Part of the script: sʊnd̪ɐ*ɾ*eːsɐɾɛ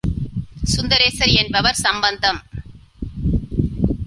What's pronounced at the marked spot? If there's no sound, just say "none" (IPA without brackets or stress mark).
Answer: ɾ